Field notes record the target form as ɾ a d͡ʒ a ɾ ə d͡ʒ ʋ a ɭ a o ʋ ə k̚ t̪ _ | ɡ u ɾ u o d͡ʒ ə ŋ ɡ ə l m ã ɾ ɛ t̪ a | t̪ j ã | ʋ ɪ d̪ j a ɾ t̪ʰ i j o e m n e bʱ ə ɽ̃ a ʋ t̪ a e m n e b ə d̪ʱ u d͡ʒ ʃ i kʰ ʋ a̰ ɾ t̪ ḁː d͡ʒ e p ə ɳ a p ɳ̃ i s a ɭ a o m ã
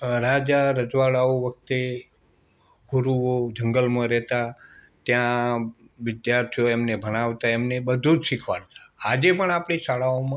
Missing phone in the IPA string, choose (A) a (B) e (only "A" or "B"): B